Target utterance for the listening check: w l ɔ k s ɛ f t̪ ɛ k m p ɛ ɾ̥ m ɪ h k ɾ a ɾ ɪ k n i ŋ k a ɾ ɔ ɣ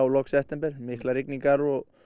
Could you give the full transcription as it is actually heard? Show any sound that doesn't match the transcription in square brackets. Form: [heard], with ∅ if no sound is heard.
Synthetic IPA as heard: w l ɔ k s ɛ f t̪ ɛ [∅] m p ɛ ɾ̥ m ɪ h k [l] a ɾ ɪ k n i ŋ k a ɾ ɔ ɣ